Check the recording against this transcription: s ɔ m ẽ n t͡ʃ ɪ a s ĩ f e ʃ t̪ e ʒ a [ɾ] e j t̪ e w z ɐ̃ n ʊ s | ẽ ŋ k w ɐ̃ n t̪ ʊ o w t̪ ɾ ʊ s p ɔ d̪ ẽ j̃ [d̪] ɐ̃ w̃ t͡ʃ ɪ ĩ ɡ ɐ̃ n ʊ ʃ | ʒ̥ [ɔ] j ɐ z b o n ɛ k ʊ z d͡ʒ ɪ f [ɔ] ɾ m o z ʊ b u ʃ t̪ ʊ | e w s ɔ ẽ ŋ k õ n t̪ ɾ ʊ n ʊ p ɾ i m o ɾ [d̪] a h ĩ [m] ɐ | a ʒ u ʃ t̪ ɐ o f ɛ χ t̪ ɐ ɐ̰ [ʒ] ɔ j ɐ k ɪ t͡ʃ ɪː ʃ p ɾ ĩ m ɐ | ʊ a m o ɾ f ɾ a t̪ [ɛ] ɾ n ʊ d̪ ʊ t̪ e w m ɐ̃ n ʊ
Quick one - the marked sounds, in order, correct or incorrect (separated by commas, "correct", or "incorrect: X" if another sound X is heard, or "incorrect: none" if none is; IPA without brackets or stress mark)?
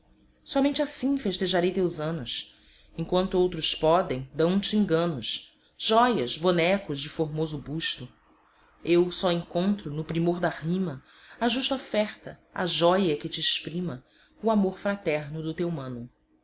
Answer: correct, correct, correct, incorrect: o, correct, correct, correct, correct